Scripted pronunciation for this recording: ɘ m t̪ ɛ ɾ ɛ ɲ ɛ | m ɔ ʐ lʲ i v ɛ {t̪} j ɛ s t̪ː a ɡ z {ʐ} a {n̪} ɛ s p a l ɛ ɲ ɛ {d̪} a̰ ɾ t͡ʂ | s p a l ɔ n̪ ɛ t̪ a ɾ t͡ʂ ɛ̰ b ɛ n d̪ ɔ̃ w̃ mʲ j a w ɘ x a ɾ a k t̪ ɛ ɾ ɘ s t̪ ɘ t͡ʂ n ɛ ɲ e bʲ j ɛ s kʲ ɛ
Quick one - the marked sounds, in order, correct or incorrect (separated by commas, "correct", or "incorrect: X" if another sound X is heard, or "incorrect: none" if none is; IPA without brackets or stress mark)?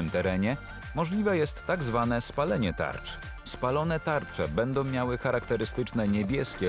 incorrect: none, incorrect: v, correct, incorrect: t̪